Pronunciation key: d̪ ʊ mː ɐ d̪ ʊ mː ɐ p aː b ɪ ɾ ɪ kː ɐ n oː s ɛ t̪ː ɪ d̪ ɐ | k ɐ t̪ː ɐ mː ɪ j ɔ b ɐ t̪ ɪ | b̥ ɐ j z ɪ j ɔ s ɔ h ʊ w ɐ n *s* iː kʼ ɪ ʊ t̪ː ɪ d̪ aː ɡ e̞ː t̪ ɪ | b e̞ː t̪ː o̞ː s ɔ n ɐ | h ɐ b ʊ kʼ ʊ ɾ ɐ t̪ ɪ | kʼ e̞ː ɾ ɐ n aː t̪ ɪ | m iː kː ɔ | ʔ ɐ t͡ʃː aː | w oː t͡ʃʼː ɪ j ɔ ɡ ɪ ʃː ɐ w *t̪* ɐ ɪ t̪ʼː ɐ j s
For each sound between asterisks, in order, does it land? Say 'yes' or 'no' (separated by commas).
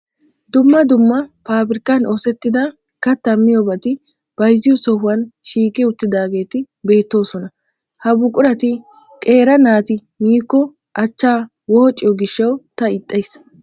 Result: no, yes